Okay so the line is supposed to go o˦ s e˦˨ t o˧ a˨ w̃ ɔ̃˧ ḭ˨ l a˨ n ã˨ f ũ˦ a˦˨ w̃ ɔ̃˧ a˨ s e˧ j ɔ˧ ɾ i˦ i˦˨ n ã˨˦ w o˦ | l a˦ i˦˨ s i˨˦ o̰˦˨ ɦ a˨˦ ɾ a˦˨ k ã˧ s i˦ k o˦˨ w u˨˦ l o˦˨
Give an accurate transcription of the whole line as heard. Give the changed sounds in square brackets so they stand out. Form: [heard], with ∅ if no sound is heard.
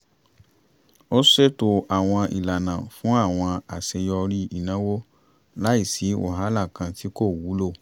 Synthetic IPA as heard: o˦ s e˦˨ t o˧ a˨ w̃ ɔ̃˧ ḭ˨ l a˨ n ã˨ f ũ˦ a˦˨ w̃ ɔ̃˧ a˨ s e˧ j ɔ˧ ɾ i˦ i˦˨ n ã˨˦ w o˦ | l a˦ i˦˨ s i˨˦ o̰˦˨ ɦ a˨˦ [l] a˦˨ k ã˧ [t] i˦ k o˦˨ w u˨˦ l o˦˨